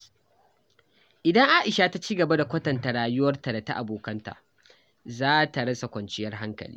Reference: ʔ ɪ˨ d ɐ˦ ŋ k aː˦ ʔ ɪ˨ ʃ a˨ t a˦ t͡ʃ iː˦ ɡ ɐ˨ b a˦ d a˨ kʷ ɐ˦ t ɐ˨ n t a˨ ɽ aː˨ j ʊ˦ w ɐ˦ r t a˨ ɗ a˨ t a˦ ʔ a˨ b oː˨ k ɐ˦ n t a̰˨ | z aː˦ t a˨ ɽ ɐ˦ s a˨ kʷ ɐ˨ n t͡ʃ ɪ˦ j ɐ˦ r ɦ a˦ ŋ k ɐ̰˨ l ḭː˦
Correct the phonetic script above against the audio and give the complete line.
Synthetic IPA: ʔ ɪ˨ d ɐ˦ ŋ ʔ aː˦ ʔ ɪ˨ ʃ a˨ t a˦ t͡ʃ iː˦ ɡ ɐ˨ b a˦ d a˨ kʷ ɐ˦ t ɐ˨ n t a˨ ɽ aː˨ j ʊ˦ w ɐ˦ r t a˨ d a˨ t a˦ ʔ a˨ b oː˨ k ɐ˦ n t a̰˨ | z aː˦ t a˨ ɽ ɐ˦ s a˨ kʷ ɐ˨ n t͡ʃ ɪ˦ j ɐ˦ r ɦ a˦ ŋ k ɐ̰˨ l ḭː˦